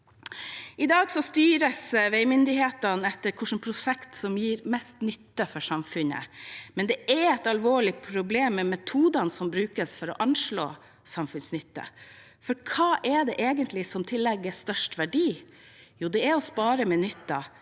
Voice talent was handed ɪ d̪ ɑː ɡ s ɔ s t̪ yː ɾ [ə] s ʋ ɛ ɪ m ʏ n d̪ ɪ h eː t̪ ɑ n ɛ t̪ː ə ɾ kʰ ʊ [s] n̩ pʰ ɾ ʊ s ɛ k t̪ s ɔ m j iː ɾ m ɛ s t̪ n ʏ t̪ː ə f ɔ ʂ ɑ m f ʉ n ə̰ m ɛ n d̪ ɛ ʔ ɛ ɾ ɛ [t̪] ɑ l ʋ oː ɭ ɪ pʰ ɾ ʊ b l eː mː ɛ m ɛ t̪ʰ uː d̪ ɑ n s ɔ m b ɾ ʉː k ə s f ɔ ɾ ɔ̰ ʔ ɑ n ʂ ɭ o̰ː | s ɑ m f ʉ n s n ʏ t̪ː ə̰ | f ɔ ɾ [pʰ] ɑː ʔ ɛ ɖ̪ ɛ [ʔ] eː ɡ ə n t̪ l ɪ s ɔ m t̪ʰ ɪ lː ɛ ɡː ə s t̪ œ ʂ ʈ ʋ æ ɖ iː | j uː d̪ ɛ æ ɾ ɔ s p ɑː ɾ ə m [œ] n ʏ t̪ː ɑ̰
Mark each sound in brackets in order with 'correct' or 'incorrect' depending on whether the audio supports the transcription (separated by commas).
correct, incorrect, correct, incorrect, correct, incorrect